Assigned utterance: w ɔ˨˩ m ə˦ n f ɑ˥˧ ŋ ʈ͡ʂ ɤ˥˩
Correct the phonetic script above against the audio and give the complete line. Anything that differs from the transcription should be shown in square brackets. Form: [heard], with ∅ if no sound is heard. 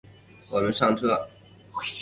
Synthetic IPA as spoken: w ɔ˨˩ m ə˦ n [ʂ] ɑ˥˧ ŋ [ʈ͡ʂʰ] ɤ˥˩